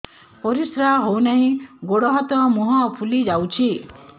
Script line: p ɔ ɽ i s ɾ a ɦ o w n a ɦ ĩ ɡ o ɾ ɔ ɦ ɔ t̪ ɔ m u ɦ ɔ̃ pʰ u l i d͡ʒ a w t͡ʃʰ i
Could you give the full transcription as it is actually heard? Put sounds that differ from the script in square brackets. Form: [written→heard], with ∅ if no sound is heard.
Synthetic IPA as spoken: p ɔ [ɽ→ɾ] i s ɾ a ɦ o w n a ɦ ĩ ɡ o [ɾ→ɽ] ɔ ɦ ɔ t̪ ɔ m u ɦ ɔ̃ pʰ u l i d͡ʒ a w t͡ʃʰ i